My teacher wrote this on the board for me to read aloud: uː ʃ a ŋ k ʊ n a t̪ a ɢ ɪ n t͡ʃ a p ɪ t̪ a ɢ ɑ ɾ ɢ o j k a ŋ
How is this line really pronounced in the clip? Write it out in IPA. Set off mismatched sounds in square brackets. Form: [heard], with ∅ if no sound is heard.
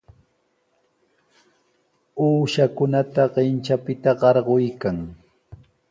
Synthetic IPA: uː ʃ a [∅] k ʊ n a t̪ a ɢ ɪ n t͡ʃ a p ɪ t̪ a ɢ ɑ ɾ ɢ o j k a ŋ